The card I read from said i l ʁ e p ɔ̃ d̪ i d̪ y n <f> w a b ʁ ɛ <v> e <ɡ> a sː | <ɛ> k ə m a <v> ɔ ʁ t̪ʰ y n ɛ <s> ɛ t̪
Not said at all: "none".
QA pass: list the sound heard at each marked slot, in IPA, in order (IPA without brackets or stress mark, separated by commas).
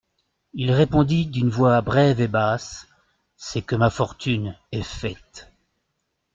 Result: v, v, b, ɛ, f, f